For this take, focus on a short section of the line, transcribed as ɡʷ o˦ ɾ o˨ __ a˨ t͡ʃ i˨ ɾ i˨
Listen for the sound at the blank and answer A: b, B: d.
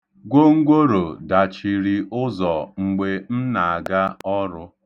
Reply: B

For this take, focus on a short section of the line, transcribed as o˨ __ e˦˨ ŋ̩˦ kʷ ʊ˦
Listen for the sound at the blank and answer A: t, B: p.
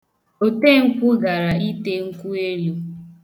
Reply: A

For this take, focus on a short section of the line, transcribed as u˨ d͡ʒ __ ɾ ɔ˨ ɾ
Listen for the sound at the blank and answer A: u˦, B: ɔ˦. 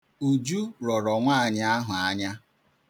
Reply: A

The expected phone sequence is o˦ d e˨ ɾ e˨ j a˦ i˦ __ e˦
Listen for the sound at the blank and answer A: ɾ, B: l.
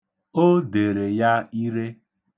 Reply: A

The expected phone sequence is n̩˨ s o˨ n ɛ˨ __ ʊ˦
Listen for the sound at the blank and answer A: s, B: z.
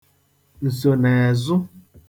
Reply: B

